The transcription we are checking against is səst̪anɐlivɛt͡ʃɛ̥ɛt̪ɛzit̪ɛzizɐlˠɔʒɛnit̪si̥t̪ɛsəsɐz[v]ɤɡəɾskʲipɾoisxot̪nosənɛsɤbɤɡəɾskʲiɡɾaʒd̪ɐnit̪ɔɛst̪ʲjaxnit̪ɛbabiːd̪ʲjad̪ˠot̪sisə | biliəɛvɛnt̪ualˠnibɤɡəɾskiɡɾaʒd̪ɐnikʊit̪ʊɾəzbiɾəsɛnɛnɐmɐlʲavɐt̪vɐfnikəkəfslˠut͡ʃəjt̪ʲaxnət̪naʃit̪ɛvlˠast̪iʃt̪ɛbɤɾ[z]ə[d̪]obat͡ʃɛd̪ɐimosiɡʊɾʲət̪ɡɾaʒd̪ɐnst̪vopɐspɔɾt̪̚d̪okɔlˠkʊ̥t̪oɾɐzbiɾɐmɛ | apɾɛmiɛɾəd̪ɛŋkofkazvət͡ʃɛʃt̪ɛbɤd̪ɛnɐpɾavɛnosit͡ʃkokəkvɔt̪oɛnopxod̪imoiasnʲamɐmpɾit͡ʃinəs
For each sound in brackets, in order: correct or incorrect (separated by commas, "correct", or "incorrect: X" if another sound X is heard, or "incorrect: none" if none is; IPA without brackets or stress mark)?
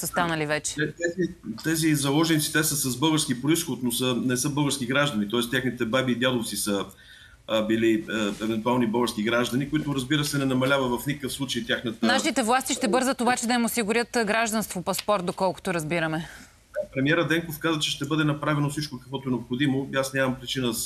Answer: incorrect: b, correct, incorrect: t̪